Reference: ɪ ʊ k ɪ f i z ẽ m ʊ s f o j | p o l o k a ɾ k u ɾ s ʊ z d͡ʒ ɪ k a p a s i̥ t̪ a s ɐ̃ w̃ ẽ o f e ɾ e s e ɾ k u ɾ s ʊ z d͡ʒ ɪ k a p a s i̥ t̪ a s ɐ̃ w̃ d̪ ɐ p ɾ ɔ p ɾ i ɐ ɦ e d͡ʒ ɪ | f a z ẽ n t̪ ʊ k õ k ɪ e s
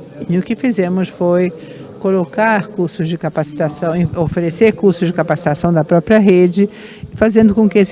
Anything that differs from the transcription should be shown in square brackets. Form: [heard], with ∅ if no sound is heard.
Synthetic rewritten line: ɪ ʊ k ɪ f i z ẽ m ʊ s f o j | [k] o l o k a ɾ k u ɾ s ʊ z d͡ʒ ɪ k a p a s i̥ t̪ a s ɐ̃ w̃ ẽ o f e ɾ e s e ɾ k u ɾ s ʊ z d͡ʒ ɪ k a p a s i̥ t̪ a s ɐ̃ w̃ d̪ ɐ p ɾ ɔ p ɾ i ɐ ɦ e d͡ʒ ɪ | f a z ẽ n [d̪] ʊ k õ k ɪ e s